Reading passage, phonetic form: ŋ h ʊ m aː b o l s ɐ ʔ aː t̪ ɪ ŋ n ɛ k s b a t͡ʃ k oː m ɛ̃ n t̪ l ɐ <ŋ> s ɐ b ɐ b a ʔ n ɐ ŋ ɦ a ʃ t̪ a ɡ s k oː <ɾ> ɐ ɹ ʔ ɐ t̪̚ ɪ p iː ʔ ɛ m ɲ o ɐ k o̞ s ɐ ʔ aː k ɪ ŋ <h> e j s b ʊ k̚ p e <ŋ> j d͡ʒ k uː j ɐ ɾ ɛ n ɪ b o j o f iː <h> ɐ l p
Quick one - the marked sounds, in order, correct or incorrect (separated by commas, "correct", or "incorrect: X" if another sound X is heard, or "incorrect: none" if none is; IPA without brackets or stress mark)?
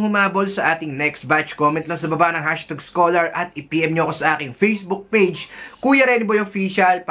correct, incorrect: l, incorrect: f, incorrect: none, incorrect: ʃ